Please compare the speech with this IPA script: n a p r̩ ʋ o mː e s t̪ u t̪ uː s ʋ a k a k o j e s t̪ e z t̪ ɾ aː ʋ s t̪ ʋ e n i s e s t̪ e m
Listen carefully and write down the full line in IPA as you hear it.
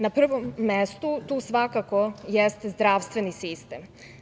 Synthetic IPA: n a p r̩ ʋ o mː e s t̪ u t̪ uː s ʋ a k a k o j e s t̪ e z d̪ ɾ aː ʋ s t̪ ʋ e n i s i s t̪ e m